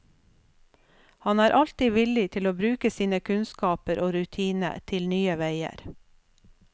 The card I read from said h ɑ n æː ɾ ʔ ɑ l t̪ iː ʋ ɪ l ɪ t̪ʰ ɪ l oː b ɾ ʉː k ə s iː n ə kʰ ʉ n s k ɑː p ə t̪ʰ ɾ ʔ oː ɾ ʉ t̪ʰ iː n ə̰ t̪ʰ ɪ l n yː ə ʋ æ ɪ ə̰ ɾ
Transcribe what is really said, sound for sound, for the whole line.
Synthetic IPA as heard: h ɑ n æː ɾ ʔ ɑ l t̪ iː ʋ ɪ l ɪ t̪ʰ ɪ l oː b ɾ ʉː k ə s iː n ə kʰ ʉ n s k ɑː p ə ɾ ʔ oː ɾ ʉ t̪ʰ iː n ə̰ t̪ʰ ɪ l n yː ə ʋ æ ɪ ə̰ ɾ